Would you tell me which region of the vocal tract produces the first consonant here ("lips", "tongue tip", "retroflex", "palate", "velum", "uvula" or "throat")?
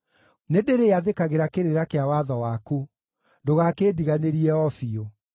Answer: tongue tip